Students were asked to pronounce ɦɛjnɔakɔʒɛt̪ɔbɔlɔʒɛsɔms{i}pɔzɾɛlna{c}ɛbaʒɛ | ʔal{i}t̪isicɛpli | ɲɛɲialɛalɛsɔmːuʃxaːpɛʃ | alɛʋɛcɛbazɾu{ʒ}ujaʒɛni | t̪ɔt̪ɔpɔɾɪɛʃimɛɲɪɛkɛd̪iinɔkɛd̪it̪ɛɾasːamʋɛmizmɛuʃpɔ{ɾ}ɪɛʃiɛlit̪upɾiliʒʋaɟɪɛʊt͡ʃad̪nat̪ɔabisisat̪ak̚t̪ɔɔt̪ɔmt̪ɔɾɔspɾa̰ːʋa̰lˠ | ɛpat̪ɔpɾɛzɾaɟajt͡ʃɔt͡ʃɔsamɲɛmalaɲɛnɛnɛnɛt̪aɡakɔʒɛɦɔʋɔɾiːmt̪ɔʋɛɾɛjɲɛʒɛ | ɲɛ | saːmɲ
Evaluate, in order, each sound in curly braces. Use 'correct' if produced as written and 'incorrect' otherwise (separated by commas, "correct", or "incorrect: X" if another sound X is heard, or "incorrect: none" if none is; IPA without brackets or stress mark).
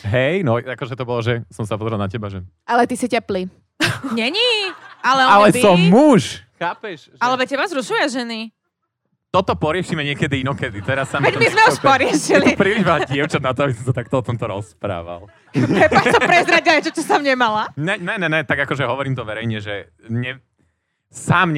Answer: incorrect: a, correct, incorrect: ɛ, incorrect: ʃ, correct